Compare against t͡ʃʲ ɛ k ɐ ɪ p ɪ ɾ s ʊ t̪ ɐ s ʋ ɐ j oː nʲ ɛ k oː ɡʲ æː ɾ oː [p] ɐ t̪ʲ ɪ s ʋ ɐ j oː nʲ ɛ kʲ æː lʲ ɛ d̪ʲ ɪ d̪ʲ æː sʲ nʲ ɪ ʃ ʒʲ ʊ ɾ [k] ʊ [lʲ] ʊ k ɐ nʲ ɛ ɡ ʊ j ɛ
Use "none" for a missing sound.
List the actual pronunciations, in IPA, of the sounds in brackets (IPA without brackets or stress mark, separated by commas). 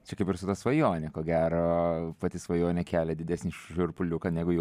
p, p, lʲ